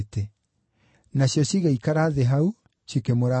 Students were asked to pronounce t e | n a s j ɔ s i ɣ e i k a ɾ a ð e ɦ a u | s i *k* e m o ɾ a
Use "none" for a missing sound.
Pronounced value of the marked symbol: k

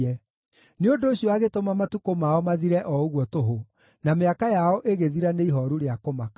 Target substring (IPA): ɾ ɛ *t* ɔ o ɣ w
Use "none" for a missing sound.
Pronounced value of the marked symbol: ʔ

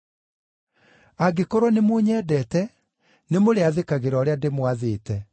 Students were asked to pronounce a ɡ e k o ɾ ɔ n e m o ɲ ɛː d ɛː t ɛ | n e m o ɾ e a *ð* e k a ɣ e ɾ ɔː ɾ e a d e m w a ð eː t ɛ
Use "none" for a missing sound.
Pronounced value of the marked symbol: ð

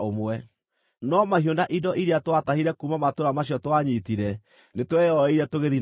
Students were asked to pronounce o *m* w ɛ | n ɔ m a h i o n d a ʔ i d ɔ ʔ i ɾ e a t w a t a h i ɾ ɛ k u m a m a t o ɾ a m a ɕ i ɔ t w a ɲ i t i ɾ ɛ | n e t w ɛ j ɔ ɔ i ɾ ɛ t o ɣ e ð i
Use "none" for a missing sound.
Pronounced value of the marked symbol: m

